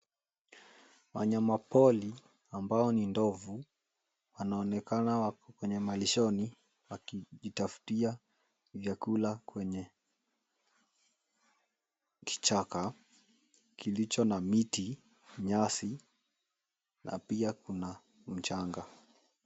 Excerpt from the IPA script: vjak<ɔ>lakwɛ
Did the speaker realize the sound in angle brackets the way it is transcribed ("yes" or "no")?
no